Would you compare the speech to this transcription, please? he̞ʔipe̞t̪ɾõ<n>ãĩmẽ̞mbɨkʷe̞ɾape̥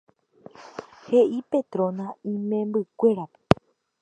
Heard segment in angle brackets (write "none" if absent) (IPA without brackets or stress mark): n